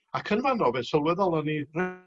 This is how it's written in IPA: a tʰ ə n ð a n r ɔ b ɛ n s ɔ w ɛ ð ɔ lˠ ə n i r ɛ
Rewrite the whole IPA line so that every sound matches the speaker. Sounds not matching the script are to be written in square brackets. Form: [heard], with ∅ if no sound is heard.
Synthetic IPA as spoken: a [kʰ] ə n [v] a n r ɔ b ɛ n s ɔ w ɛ ð ɔ lˠ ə n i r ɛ